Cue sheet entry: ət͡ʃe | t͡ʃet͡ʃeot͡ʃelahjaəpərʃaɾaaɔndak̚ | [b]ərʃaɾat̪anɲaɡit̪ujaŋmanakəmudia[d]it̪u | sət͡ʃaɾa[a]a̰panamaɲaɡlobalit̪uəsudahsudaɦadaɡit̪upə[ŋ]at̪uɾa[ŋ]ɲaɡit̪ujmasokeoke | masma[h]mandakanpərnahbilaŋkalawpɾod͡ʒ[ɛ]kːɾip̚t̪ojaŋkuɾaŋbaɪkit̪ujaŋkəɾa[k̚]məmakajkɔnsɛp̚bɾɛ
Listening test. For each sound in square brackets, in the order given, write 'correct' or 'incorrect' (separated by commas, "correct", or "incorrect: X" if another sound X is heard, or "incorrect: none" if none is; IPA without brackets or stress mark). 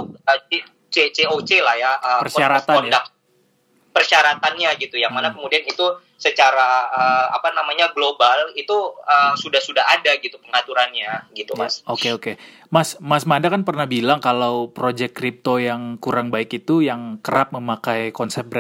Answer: incorrect: p, incorrect: n, incorrect: ə, correct, incorrect: n, incorrect: s, correct, incorrect: p̚